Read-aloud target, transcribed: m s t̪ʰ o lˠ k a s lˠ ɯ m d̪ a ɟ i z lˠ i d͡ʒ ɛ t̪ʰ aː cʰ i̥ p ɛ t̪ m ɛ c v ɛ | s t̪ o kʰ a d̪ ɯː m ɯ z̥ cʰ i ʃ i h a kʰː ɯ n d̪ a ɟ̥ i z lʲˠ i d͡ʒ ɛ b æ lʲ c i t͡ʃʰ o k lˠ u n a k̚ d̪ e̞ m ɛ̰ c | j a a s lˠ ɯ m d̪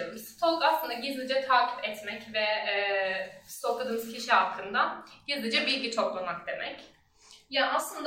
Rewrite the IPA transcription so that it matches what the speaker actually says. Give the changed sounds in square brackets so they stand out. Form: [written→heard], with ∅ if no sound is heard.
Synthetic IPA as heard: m s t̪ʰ o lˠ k a s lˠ ɯ [m→n] d̪ a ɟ i z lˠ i d͡ʒ ɛ t̪ʰ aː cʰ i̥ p ɛ t̪ m ɛ c v ɛ | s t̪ o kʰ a d̪ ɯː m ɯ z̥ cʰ i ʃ i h a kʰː ɯ n d̪ a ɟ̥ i z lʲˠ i d͡ʒ ɛ b [æ→i] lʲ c i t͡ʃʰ o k lˠ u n a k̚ d̪ e̞ m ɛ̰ c | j a a s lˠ ɯ [m→n] d̪